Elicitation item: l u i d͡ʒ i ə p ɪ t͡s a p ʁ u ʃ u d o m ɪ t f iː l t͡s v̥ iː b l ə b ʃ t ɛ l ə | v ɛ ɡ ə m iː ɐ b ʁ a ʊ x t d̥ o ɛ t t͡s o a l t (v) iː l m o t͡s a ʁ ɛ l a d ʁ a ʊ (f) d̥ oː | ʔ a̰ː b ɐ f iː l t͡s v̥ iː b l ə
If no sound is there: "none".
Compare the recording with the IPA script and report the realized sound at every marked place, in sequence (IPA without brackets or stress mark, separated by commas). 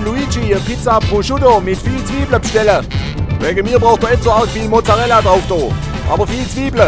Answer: f, f